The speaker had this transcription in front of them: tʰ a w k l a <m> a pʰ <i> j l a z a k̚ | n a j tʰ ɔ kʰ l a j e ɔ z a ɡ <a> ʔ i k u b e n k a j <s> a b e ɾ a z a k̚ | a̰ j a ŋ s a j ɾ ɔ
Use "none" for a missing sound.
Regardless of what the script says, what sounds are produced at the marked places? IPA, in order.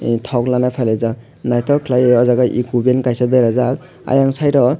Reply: n, a, a, s

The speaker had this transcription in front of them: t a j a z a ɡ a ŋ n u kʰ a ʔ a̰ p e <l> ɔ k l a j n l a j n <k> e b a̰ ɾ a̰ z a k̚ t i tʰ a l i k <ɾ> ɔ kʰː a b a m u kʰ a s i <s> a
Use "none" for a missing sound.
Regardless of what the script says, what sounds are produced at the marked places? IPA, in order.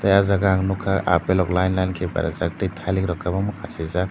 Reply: l, kʰ, ɾ, z

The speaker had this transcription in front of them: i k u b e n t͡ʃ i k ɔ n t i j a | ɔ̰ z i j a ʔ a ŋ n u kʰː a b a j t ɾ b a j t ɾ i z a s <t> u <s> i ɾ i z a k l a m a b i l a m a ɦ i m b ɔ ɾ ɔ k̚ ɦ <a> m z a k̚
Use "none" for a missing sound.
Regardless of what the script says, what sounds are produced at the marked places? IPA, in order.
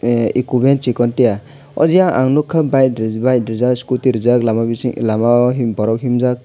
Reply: k, t, i

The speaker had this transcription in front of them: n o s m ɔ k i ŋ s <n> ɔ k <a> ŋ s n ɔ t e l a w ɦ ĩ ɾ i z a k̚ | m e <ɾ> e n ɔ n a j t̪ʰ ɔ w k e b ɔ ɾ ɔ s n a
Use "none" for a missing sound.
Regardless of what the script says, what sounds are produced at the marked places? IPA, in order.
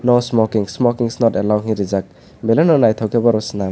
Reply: m, i, l

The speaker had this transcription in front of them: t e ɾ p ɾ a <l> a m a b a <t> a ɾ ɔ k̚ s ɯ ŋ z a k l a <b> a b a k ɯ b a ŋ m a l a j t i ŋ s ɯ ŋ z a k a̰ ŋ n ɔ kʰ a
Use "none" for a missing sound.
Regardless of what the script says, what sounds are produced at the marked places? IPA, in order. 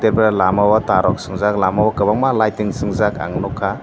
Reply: l, t, m

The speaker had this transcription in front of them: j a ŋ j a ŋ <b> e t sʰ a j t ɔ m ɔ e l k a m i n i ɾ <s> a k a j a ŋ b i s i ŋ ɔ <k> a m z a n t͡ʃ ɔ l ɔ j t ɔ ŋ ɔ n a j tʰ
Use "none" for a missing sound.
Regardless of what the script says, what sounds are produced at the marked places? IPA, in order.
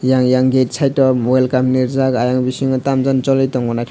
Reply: ɡ, z, t

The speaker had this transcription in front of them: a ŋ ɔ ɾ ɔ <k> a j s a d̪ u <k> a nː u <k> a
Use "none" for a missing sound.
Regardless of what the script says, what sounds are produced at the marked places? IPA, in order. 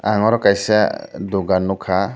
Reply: k, ɡ, kʰ

